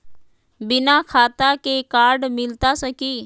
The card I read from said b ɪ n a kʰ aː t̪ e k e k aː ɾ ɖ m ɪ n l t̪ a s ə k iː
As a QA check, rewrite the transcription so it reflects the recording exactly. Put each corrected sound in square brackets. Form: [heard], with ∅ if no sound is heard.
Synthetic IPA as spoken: b ɪ n a kʰ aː t̪ [a] k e k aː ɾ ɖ m ɪ [∅] l t̪ a s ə k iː